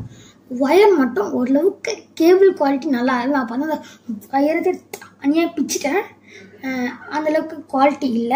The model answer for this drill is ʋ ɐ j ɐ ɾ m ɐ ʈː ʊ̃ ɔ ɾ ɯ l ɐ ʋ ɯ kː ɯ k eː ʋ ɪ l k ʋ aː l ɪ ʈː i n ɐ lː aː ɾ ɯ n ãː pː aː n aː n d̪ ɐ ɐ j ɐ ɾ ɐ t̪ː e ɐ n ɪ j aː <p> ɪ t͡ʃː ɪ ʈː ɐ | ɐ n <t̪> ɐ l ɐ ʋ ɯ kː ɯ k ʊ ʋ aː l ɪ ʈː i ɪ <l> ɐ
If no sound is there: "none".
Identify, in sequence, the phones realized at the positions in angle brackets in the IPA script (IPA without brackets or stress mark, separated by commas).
p, d̪, lː